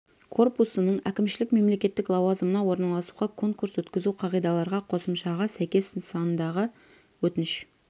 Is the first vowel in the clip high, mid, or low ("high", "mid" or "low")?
mid